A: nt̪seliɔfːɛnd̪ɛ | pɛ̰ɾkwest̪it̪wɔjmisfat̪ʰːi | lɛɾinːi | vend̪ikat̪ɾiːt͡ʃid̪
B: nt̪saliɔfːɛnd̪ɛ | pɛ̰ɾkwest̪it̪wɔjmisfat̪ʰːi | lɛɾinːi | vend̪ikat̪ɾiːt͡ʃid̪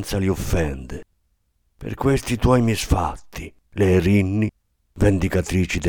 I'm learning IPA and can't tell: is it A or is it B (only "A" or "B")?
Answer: B